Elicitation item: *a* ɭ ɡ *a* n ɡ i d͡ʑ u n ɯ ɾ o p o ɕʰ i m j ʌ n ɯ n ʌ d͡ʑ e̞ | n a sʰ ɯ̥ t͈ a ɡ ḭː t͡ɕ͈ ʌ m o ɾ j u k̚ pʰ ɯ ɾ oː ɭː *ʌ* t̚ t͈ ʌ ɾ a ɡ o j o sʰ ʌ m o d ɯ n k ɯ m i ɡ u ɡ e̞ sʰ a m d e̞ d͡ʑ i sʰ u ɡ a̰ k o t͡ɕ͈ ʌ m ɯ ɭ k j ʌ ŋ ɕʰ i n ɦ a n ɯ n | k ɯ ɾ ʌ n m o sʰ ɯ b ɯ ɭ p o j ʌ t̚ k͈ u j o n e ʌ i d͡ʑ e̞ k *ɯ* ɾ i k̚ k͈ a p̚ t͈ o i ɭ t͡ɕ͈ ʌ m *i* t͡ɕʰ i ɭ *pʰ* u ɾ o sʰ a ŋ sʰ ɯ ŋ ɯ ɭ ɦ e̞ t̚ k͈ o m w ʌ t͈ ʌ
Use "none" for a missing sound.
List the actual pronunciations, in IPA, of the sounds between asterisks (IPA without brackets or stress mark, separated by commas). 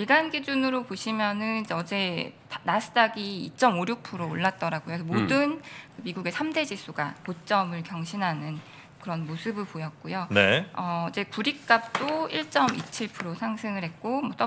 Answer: i, a, a, u, i, pʰ